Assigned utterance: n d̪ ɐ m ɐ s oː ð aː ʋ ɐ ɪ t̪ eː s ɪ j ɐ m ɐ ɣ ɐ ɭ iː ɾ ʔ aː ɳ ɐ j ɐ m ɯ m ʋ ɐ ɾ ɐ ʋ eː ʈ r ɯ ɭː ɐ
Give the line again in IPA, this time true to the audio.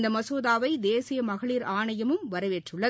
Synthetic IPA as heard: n d̪ ɐ m ɐ s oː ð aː ʋ ɐ ɪ d̪ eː s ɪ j ɐ m ɐ ɣ ɐ ɭ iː ɾ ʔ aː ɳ ɐ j ɐ m ɯ m ʋ ɐ ɾ ɐ ʋ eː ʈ r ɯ ɭː ɐ